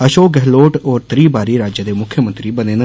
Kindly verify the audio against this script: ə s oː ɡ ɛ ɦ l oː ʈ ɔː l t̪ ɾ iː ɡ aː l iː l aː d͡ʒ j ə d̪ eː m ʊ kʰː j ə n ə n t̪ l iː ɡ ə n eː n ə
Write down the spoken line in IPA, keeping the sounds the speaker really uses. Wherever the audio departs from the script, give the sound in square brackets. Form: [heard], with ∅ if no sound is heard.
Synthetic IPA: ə [ʃ] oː ɡ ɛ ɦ l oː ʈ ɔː [ɾ] t̪ ɾ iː [b] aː [ɾ] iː [ɾ] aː d͡ʒ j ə d̪ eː m ʊ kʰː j ə [m] ə n t̪ [ɾ] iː [b] ə n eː n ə